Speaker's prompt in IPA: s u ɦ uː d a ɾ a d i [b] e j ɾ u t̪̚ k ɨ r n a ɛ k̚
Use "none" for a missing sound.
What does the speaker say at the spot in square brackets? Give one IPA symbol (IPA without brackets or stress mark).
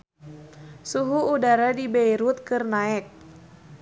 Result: b